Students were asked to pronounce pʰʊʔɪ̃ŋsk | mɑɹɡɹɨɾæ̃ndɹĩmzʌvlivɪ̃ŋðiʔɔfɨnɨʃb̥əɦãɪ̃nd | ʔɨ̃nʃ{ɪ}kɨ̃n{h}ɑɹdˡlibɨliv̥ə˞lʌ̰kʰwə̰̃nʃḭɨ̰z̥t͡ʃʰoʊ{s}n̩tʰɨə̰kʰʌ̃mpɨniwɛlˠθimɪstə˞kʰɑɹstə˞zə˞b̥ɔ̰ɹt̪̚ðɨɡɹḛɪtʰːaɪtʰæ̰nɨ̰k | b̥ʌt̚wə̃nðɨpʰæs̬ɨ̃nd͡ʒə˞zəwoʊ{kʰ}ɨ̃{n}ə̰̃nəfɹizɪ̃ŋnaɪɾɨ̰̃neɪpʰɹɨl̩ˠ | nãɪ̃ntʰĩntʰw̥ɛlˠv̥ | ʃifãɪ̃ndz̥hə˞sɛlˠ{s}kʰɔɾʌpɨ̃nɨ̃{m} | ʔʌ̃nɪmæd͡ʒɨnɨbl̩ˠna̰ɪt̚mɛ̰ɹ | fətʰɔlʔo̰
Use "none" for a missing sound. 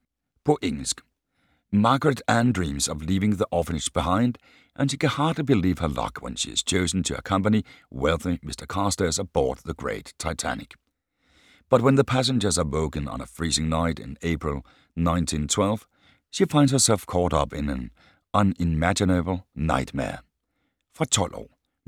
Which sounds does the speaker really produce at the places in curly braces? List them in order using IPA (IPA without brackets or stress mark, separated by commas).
i, h, z, k, n, f, n